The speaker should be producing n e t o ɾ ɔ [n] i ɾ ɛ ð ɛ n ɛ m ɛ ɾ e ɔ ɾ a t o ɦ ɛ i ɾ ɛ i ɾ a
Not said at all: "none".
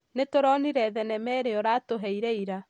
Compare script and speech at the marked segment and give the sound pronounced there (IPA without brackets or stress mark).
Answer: n